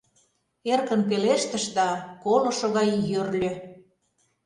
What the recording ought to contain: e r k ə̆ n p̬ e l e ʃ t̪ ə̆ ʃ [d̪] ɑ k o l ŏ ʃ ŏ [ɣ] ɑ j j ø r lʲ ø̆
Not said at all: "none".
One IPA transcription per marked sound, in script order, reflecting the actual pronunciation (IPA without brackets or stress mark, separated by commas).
d̪, ɣ